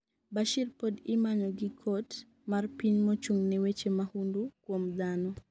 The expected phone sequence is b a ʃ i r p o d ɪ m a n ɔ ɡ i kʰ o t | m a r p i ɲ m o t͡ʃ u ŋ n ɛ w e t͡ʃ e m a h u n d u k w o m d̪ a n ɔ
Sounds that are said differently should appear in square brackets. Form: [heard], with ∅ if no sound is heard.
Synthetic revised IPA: b a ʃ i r p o d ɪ m a [ɲ] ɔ ɡ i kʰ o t | m a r p i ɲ m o t͡ʃ u ŋ n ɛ w e t͡ʃ e m a h u n d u k w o m d̪ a n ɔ